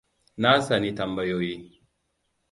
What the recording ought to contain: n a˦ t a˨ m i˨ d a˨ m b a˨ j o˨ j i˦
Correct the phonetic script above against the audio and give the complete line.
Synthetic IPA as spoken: n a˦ s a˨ n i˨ t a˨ m b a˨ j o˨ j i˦